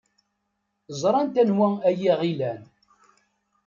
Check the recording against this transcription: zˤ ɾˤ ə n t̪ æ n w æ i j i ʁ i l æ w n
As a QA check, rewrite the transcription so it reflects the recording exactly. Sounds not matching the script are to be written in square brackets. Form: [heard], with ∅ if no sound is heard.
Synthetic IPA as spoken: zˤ ɾˤ [ɑ] n t̪ æ n w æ [æ] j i ʁ i l æ [∅] n